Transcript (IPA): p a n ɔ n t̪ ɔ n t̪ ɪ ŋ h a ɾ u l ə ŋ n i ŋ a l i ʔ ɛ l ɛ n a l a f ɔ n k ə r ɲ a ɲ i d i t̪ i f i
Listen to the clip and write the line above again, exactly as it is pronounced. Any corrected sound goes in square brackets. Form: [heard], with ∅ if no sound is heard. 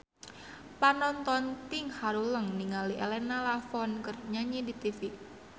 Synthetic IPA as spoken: p a n ɔ n t̪ ɔ n t̪ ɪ ŋ h a ɾ u l ə ŋ n i ŋ a l i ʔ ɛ l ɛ n a l a f ɔ n k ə r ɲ a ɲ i d i t̪ i f i